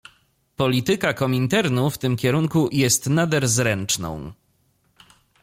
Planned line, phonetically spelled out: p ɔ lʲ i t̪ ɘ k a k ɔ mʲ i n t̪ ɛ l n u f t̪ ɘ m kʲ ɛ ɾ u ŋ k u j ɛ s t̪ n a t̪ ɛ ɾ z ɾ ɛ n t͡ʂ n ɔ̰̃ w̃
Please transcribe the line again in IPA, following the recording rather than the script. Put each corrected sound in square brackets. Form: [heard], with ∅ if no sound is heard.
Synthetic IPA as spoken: p ɔ lʲ i t̪ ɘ k a k ɔ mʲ i n t̪ ɛ [ɾ] n u f t̪ ɘ m kʲ ɛ ɾ u ŋ k u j ɛ s t̪ n a [d̪] ɛ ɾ z ɾ ɛ n t͡ʂ n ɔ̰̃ w̃